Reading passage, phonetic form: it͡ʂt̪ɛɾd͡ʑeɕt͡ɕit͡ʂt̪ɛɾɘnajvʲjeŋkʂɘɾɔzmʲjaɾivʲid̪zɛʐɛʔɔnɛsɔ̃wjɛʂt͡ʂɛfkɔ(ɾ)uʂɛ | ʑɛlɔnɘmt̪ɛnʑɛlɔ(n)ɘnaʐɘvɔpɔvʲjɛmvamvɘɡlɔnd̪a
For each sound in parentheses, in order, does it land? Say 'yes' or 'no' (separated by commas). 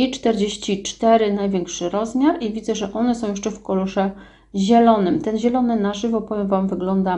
no, yes